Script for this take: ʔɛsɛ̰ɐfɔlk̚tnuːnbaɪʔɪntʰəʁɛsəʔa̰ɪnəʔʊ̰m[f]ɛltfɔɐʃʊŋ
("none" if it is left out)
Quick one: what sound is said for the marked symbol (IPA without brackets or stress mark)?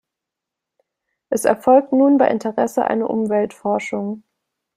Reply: v